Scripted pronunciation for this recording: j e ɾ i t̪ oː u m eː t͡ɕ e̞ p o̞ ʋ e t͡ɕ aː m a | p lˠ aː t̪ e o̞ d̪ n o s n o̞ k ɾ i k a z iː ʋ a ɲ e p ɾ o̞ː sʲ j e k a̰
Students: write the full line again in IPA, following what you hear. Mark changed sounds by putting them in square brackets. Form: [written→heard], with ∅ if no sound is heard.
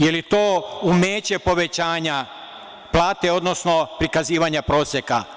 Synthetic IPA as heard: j e [ɾ→l] i t̪ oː u m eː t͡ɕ e̞ p o̞ ʋ e t͡ɕ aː [m→ɲ] a | p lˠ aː t̪ e o̞ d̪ n o s n o̞ [k→p] ɾ i k a z iː ʋ a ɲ [e→a] p ɾ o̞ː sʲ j e k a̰